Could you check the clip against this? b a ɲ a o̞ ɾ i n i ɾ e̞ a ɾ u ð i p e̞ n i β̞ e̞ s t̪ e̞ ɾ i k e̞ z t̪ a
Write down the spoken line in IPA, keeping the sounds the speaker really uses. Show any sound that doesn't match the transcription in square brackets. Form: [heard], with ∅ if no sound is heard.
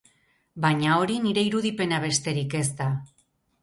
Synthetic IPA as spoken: b a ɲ a o̞ ɾ i n i ɾ e̞ [i] ɾ u ð i p e̞ n [a] β̞ e̞ s t̪ e̞ ɾ i k e̞ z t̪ a

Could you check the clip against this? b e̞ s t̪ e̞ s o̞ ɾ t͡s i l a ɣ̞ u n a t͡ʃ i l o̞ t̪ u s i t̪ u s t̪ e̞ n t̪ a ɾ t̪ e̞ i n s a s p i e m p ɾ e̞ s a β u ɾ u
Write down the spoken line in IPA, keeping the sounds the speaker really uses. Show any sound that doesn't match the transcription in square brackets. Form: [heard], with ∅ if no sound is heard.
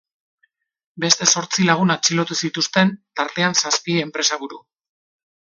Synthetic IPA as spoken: b e̞ s t̪ e̞ s o̞ ɾ t͡s i l a ɣ̞ u n a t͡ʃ i l o̞ t̪ u s i t̪ u s t̪ e̞ n t̪ a ɾ t̪ e̞ [a] n s a s p i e m p ɾ e̞ s a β u ɾ u

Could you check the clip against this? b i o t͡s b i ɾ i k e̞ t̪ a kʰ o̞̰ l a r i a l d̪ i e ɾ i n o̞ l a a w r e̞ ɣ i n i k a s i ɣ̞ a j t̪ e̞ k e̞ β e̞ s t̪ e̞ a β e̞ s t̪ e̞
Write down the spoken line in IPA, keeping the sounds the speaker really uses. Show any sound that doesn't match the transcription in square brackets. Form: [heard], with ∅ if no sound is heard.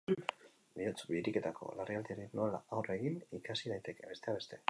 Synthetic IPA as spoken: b i o t͡s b i ɾ i k e̞ t̪ a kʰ o̞̰ l a r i a l d̪ i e ɾ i n o̞ l a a w r e̞ ɣ i n i k a s i [ð̞] a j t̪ e̞ k e̞ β e̞ s t̪ e̞ a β e̞ s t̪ e̞

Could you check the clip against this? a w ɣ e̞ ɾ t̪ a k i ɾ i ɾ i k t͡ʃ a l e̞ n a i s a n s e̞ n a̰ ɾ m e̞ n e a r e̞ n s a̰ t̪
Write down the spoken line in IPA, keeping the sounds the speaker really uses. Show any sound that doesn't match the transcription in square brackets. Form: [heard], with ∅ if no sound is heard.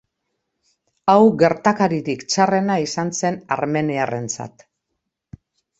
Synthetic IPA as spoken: a w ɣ e̞ ɾ t̪ a k [a] ɾ i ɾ i k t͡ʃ a [r] e̞ n a i s a n s e̞ n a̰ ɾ m e̞ n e a r e̞ n [t͡s] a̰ t̪

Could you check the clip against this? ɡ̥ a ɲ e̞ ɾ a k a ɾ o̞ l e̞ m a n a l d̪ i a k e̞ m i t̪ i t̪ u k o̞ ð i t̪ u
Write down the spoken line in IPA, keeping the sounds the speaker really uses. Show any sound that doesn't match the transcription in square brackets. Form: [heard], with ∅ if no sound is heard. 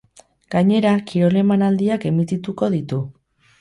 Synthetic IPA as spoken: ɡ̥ a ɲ e̞ ɾ a k [i] ɾ o̞ l e̞ m a n a l d̪ i a k e̞ m i t̪ i t̪ u k o̞ ð i t̪ u

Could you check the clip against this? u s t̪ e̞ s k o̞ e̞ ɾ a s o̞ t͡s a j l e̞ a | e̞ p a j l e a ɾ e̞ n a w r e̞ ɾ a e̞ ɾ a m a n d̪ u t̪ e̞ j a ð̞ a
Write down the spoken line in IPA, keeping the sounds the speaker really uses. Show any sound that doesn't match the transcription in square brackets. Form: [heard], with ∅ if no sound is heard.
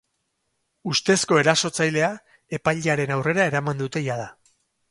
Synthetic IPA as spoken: u s t̪ e̞ s k o̞ e̞ ɾ a s o̞ t͡s a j l e̞ a | e̞ p a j [ʎ] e a ɾ e̞ n a w r e̞ ɾ a e̞ ɾ a m a n d̪ u t̪ e̞ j a ð̞ a

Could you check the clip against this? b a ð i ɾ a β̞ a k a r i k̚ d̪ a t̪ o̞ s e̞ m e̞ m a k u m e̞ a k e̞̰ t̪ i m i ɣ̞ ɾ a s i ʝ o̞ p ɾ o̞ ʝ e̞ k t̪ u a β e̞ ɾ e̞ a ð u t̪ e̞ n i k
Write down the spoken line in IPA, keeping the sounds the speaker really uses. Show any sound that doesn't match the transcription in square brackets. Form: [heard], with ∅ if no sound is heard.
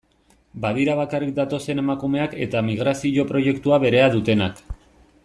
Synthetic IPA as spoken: b a ð i ɾ a β̞ a k a r i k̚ d̪ a t̪ o̞ s e̞ [n] e̞ m a k u m e̞ a k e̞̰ t̪ [a] m i ɣ̞ ɾ a s i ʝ o̞ p ɾ o̞ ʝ e̞ k t̪ u a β e̞ ɾ e̞ a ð u t̪ e̞ n [a] k

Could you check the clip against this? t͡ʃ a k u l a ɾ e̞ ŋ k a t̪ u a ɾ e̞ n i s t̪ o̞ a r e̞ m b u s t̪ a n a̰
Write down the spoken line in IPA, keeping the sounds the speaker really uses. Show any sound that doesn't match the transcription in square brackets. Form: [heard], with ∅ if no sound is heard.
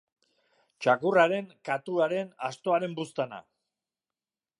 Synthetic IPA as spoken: t͡ʃ a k u [r] a ɾ e̞ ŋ k a t̪ u a ɾ e̞ n [a] s t̪ o̞ a [ɾ] e̞ m b u s t̪ a n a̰

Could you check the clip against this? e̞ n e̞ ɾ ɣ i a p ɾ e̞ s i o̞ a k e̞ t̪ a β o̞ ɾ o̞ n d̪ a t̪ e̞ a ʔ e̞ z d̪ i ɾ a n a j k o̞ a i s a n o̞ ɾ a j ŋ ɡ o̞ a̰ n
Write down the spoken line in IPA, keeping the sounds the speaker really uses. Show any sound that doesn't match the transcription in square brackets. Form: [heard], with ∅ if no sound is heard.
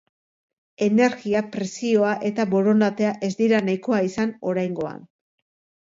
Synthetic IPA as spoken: e̞ n e̞ ɾ ɣ i a p ɾ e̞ s i o̞ a [ʔ] e̞ t̪ a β o̞ ɾ o̞ n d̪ a t̪ e̞ a ʔ e̞ z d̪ i ɾ a n a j k o̞ a i s a n o̞ ɾ a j ŋ ɡ o̞ a̰ n

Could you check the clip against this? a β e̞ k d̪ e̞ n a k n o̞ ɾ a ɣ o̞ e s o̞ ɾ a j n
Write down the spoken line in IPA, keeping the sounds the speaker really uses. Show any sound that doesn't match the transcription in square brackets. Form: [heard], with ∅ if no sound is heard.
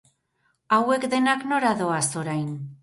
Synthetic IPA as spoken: a [w] e̞ k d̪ e̞ n a k n o̞ ɾ a [ð] o̞ [a] s o̞ ɾ a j n

